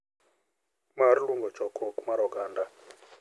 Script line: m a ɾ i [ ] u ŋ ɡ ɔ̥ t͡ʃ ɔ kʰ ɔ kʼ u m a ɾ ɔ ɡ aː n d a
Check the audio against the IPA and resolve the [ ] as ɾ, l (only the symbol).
l